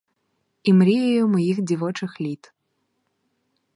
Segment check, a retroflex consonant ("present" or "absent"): present